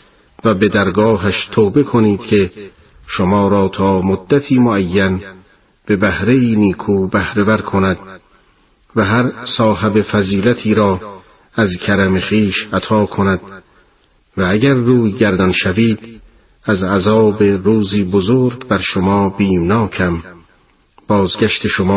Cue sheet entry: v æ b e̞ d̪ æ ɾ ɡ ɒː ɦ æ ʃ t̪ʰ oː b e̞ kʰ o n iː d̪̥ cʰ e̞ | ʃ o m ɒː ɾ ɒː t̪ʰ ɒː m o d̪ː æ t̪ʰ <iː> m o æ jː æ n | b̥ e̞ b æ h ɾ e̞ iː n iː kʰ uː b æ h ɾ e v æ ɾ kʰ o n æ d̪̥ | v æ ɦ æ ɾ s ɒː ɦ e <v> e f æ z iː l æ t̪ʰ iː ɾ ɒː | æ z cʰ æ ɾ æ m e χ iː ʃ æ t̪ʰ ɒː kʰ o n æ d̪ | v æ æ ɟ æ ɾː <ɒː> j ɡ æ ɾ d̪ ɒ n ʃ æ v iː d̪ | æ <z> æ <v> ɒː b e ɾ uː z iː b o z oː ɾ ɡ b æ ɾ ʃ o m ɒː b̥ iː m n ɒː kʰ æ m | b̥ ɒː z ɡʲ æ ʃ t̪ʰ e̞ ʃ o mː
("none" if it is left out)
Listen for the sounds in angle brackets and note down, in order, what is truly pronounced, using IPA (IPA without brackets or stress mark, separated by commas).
iː, b, uː, z, z